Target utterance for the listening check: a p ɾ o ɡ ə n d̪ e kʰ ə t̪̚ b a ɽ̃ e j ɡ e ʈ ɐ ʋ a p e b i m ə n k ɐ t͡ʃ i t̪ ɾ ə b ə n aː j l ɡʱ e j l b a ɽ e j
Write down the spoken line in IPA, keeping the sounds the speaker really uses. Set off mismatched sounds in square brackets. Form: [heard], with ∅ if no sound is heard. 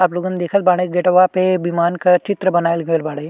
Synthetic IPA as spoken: a p [l] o ɡ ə n d̪ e kʰ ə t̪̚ b a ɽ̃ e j ɡ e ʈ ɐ ʋ a p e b i m [a] n k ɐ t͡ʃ i t̪ ɾ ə b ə n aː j l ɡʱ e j l b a ɽ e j